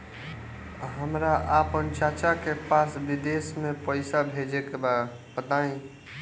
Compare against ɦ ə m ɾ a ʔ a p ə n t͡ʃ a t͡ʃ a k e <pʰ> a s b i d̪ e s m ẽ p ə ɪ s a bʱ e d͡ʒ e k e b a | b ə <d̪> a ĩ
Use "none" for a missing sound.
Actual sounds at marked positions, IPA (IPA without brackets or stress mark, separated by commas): p, t̪